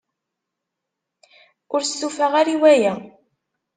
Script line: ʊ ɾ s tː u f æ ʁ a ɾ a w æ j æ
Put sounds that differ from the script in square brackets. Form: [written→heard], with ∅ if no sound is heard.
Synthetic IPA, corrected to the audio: ʊ ɾ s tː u f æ ʁ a ɾ [a→i] w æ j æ

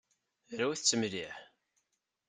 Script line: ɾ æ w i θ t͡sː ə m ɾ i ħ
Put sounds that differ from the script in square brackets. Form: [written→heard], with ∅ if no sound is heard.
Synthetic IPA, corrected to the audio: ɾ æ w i θ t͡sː ə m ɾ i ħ

